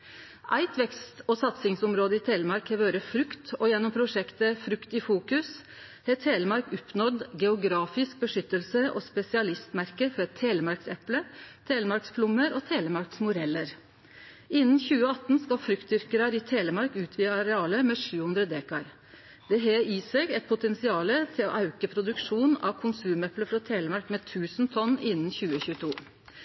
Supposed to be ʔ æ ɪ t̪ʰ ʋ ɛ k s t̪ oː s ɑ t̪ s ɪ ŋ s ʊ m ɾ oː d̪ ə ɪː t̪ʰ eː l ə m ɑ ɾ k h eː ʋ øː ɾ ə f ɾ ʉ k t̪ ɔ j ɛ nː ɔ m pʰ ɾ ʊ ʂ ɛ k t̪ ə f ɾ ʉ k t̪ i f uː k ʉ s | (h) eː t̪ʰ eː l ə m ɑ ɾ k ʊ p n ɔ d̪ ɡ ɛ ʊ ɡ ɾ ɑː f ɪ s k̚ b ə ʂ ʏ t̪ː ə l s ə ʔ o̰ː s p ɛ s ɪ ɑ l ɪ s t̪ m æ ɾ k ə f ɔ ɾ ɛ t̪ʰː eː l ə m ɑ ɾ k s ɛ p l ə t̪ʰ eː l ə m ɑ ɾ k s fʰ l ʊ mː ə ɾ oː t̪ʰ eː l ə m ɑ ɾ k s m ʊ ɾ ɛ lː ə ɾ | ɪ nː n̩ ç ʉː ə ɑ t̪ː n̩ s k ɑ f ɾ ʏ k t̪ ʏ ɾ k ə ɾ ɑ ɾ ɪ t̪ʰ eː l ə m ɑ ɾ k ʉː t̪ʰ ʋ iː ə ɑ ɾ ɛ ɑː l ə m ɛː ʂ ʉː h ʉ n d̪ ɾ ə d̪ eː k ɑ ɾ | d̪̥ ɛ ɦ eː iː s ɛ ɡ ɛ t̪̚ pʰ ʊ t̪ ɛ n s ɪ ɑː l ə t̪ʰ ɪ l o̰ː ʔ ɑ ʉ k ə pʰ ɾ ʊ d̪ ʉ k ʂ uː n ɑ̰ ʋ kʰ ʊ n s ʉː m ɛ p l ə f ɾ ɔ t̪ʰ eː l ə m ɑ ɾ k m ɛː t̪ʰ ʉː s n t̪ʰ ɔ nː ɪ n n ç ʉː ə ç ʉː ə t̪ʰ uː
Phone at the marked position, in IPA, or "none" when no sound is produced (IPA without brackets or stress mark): h